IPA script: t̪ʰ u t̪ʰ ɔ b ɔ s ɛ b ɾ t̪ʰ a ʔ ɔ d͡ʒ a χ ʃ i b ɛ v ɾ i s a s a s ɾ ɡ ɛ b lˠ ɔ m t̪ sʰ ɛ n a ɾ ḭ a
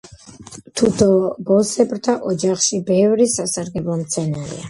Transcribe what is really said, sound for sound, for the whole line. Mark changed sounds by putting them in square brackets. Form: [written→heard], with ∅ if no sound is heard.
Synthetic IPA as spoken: t̪ʰ u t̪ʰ ɔ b ɔ s ɛ b ɾ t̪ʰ a ʔ ɔ d͡ʒ a χ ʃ i b ɛ v ɾ i s a s a [s→∅] ɾ ɡ ɛ b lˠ ɔ m t̪ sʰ ɛ n a ɾ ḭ a